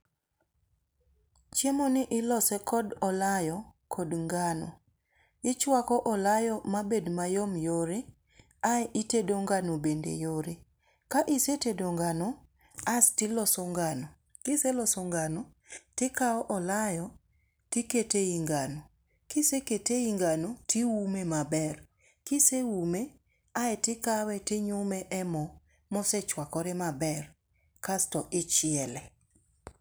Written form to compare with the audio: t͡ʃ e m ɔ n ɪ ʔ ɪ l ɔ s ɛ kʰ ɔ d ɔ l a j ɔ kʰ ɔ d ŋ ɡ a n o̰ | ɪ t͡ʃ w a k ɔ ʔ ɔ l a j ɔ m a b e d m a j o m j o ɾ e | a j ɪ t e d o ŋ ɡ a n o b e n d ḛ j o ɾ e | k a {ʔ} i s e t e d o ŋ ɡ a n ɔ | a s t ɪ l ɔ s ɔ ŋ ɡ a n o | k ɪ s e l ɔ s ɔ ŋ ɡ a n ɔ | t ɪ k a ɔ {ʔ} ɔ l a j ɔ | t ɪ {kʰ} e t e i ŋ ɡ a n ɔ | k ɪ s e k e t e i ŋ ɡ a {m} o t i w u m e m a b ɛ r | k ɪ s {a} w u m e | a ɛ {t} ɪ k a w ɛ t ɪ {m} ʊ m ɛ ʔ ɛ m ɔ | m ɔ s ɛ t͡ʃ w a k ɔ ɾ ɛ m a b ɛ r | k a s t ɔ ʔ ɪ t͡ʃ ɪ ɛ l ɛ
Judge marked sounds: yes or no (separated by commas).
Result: yes, yes, no, no, no, yes, no